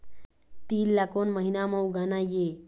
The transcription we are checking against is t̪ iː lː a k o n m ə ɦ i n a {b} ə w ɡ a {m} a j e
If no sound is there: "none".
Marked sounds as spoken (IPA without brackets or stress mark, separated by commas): m, n